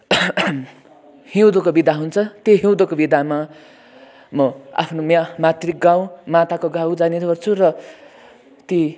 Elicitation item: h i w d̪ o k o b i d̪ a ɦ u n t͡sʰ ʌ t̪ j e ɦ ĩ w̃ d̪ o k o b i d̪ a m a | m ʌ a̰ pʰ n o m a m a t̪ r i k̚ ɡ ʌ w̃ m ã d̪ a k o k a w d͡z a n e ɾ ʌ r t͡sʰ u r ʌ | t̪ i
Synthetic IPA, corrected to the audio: h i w d̪ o k o b i d̪ a ɦ u n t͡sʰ ʌ t̪ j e ɦ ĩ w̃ d̪ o k o b i d̪ a m a | m ʌ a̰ pʰ n o m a m a t̪ r i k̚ ɡ a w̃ m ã t̪ a k o ɡ a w d͡z a n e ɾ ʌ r t͡sʰ u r ʌ | t̪ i